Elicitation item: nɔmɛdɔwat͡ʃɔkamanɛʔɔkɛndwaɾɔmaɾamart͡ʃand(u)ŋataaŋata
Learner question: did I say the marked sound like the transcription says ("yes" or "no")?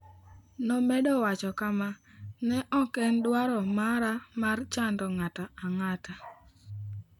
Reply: no